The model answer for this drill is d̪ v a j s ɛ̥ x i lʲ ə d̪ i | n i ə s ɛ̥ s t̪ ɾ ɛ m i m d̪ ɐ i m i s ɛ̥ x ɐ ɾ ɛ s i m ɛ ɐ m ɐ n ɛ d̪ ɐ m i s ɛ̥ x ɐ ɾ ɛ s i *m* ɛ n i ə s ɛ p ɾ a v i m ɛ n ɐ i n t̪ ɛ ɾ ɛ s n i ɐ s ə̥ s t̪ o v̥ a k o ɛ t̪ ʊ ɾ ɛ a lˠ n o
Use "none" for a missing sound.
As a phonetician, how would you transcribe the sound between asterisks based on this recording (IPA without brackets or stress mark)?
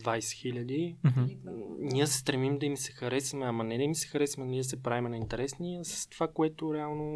m